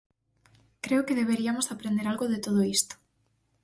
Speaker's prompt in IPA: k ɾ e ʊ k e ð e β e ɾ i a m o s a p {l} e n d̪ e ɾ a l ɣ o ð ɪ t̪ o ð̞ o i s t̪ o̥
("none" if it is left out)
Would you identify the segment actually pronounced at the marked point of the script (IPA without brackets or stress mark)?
ɾ